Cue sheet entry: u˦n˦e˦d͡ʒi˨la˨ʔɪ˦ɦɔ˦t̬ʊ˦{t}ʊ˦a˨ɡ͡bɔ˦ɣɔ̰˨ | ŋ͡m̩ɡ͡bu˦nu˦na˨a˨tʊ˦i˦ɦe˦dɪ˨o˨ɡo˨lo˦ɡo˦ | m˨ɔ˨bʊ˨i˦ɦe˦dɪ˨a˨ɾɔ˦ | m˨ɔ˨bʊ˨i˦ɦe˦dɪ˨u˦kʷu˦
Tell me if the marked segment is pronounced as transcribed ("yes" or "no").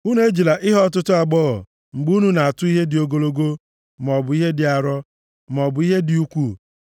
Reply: yes